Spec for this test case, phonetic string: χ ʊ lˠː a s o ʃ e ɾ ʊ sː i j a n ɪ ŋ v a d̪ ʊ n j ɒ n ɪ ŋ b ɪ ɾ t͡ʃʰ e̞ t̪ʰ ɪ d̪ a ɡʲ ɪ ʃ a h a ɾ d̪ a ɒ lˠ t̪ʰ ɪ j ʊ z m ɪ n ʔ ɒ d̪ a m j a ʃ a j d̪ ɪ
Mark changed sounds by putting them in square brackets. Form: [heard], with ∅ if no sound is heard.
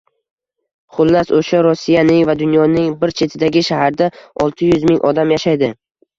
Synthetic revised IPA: χ ʊ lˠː a s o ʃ [a] ɾ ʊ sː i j a n ɪ ŋ v a d̪ ʊ n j ɒ n ɪ ŋ b ɪ ɾ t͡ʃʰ e̞ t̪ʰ ɪ d̪ a ɡʲ ɪ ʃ a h a ɾ d̪ a ɒ lˠ t̪ʰ ɪ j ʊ z m ɪ [ŋ] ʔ ɒ d̪ a m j a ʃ a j d̪ ɪ